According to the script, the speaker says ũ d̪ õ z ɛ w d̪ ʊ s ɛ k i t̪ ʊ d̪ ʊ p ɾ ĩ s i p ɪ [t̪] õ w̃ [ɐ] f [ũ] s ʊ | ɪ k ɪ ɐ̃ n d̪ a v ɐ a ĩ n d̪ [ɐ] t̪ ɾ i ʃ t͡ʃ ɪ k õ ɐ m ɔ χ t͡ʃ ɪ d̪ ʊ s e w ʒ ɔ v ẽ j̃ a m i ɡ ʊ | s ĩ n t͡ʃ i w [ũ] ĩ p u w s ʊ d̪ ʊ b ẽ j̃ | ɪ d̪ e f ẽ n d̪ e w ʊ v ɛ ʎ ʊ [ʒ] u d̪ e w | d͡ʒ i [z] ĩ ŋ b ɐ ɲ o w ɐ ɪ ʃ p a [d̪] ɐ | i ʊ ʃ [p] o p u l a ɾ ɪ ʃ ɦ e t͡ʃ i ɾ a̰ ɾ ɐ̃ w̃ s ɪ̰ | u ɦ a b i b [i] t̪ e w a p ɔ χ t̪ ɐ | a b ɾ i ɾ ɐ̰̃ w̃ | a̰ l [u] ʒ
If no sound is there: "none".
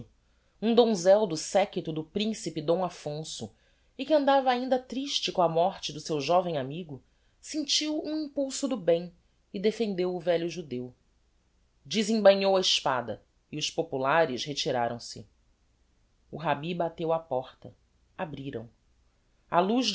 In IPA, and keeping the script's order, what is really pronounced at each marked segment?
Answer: d̪, a, õ, ɐ, ũ, ʒ, z, d̪, p, a, u

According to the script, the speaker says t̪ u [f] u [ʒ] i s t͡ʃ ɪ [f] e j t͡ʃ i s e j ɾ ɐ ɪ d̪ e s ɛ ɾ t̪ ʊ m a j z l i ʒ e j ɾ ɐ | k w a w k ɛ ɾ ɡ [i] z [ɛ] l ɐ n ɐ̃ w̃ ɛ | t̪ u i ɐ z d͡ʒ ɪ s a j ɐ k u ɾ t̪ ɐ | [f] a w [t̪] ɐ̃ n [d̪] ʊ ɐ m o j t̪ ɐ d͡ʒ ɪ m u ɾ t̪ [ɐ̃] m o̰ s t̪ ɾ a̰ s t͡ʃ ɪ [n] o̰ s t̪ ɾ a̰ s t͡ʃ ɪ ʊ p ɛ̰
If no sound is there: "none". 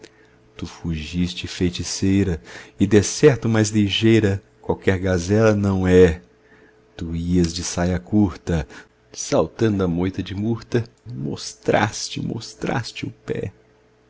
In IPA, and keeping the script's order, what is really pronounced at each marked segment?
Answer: f, ʒ, f, a, ɛ, s, t̪, d̪, ɐ, m

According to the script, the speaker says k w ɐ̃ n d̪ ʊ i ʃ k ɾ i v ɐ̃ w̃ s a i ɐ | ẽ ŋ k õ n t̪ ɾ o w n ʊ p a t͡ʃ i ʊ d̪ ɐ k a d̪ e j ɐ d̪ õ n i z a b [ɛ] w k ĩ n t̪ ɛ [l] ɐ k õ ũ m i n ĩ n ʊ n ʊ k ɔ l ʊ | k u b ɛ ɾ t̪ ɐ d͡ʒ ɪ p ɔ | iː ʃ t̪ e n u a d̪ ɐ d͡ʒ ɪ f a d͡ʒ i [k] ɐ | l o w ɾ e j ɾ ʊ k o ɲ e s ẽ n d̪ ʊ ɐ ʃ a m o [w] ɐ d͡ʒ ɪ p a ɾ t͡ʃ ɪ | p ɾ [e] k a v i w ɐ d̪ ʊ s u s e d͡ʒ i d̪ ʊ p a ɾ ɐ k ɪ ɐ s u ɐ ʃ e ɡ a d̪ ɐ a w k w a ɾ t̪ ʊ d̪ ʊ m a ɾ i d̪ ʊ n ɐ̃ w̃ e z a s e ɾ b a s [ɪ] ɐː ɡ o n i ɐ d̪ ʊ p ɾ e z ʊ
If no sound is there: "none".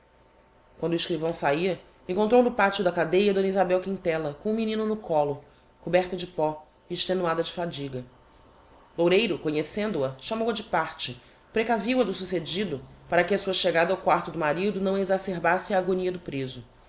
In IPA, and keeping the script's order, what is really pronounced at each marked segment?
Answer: ɛ, l, ɡ, w, e, ɪ

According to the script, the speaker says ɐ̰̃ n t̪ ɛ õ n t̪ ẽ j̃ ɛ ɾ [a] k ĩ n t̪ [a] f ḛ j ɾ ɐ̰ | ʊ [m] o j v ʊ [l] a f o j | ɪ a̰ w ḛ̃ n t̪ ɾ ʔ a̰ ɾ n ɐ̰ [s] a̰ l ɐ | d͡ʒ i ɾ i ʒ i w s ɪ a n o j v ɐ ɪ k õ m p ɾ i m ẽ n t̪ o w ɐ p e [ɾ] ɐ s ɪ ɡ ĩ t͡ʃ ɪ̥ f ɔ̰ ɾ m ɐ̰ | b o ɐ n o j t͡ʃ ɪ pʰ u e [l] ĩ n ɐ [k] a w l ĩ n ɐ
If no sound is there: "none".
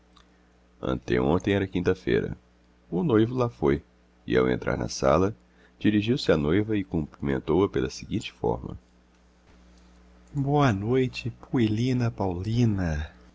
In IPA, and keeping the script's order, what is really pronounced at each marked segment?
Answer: ɐ, ɐ, n, l, s, l, l, p

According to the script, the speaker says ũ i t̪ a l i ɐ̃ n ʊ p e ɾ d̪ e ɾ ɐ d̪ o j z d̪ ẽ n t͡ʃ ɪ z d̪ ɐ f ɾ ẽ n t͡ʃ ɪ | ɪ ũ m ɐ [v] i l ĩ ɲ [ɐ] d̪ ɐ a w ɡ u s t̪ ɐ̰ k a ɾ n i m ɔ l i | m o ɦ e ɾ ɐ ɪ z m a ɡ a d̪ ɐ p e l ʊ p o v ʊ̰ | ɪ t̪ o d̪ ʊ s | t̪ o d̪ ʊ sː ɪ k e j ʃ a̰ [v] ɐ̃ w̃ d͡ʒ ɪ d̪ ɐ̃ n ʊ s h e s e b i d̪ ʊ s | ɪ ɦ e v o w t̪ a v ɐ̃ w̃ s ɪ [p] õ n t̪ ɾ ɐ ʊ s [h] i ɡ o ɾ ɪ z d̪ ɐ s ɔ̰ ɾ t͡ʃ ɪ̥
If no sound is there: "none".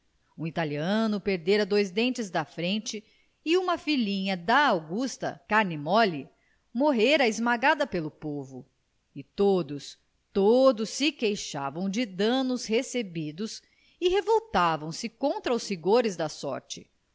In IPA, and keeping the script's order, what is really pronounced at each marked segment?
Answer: f, ɐ, v, k, h

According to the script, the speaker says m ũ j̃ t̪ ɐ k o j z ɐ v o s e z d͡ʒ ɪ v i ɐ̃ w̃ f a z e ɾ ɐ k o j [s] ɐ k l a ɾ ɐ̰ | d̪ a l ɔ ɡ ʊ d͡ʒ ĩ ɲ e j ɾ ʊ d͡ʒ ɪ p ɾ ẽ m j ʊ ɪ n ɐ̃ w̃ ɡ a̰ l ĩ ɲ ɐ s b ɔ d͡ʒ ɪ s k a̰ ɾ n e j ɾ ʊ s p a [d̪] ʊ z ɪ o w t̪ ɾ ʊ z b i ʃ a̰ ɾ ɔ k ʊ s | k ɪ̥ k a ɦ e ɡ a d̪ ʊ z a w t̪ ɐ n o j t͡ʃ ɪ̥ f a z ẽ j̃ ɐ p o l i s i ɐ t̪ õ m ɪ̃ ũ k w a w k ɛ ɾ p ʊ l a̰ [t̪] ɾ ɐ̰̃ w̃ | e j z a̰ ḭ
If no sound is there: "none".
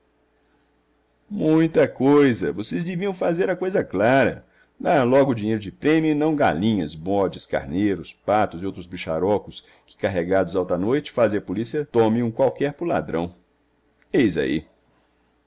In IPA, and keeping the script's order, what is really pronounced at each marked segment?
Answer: z, t̪, d̪

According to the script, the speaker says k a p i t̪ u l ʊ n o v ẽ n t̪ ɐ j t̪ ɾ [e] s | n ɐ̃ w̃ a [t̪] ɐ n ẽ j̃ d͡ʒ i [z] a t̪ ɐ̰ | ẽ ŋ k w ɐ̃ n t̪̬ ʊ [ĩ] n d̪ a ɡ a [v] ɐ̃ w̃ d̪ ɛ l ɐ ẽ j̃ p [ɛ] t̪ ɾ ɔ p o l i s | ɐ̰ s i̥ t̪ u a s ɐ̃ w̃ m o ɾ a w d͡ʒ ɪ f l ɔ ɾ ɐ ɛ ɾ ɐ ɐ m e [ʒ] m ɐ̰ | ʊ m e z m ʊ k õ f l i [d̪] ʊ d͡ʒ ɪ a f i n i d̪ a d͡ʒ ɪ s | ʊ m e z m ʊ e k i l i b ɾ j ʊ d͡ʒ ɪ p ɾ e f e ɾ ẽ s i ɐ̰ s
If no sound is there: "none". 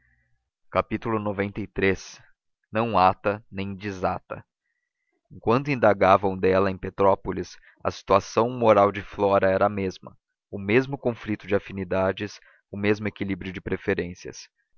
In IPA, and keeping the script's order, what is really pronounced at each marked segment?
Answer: e, t̪, z, ĩ, v, e, z, t̪

